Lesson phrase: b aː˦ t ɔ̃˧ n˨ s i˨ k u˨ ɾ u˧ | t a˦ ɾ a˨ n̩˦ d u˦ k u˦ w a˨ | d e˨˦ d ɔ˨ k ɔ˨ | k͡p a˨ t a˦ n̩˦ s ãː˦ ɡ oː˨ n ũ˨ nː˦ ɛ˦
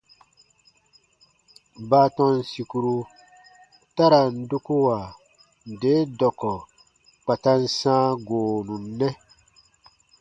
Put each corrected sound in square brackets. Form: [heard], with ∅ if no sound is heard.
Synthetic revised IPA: b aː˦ t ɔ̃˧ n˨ s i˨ k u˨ ɾ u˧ | t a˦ ɾ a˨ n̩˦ d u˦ k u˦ w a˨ | d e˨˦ d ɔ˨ k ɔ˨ | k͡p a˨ t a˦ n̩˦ s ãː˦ ɡ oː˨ n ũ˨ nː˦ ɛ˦